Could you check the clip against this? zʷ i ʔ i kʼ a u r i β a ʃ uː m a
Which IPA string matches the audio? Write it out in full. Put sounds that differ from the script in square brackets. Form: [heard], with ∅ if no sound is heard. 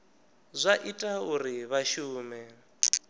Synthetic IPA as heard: zʷ [a] ʔ i [tʼ] a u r i β a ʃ uː m [ɛ]